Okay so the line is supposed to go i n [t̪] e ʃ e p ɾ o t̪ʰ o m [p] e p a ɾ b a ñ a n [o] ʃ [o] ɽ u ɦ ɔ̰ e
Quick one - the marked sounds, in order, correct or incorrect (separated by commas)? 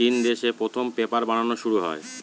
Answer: incorrect, correct, correct, incorrect